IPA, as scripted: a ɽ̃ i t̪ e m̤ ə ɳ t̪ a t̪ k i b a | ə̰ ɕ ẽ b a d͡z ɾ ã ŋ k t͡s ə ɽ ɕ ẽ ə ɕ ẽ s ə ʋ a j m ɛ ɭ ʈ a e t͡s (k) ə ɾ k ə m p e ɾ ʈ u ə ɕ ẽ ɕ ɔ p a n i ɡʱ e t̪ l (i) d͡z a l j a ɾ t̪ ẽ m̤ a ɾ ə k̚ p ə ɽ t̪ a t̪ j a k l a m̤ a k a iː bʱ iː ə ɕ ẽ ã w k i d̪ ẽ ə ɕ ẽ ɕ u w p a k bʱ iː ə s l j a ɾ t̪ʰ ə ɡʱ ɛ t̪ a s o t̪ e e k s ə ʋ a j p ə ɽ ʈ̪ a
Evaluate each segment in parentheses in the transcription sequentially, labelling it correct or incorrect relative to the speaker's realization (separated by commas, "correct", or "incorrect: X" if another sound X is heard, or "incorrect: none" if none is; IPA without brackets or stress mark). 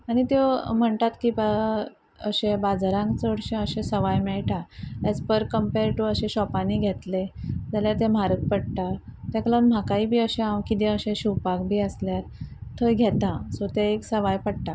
incorrect: p, incorrect: e